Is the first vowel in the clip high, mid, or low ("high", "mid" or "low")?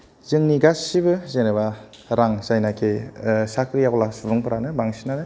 high